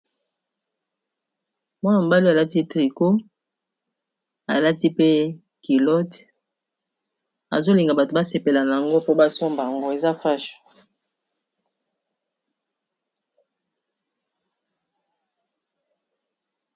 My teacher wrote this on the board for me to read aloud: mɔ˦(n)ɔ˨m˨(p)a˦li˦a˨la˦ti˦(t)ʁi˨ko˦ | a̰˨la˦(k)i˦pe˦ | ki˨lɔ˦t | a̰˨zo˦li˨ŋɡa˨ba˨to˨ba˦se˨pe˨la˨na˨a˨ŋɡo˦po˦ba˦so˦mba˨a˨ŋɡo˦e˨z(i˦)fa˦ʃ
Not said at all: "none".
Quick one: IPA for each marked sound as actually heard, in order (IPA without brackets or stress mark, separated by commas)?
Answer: n, b, t, t, a˦